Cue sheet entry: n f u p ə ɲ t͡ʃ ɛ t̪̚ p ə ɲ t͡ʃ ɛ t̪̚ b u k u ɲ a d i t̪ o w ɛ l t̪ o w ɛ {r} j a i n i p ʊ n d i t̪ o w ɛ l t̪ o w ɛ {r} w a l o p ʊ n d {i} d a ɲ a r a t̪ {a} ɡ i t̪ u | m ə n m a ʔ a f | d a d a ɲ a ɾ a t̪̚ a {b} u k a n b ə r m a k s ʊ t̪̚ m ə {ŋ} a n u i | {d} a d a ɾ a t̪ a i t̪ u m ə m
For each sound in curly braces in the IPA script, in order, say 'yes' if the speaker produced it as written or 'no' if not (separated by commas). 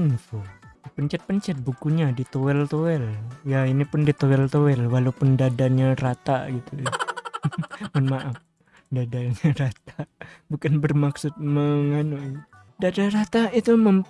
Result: no, no, no, yes, yes, yes, yes